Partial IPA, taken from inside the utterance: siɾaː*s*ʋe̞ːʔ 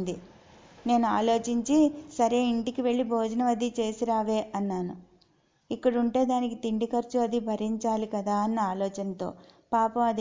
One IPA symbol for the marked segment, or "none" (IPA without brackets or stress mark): none